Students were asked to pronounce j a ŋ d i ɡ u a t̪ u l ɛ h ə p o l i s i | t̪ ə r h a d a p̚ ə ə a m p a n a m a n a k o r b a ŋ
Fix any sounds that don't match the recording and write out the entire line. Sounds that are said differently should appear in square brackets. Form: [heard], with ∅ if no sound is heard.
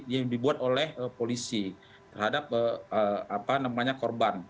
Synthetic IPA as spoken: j a ŋ d i [b] u a t̪ [o] l ɛ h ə p o l i s i | t̪ ə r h a d a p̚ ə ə a [∅] p a n a m a [ɲ] a k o r b a [n]